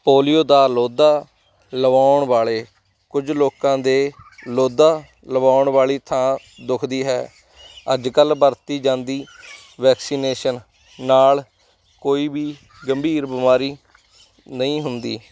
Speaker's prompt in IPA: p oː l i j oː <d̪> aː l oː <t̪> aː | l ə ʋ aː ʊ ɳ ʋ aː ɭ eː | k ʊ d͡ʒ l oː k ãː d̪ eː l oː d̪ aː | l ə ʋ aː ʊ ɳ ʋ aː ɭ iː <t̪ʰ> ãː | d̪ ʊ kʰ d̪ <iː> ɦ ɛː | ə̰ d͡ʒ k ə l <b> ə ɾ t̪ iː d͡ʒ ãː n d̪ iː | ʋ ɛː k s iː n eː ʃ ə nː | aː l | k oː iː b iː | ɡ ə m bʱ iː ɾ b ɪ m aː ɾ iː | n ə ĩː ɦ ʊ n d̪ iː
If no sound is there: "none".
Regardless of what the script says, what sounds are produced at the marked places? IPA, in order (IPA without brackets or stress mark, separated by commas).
d̪, d̪, t̪ʰ, iː, b